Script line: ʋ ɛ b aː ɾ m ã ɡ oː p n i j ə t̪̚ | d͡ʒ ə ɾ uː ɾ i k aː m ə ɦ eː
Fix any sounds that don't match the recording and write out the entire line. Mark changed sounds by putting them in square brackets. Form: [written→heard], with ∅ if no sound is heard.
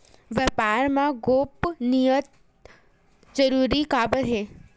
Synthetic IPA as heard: ʋ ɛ [b→p] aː ɾ m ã ɡ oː p n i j ə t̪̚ | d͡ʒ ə ɾ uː ɾ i k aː [m→b] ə ɦ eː